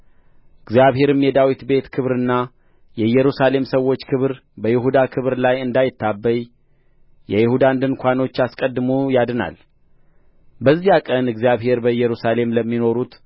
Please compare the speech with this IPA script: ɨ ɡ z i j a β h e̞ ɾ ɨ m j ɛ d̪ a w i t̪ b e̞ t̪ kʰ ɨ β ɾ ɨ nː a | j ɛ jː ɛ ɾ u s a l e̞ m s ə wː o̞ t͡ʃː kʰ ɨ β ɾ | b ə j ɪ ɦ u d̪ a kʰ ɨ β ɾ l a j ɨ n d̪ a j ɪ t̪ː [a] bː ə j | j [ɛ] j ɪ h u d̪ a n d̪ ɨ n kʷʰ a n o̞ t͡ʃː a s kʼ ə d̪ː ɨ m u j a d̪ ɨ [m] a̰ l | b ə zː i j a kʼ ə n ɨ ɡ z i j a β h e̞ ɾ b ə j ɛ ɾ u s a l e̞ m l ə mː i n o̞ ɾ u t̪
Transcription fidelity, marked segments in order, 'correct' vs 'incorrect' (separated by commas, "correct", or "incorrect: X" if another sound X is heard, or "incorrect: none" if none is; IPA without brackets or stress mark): correct, correct, incorrect: n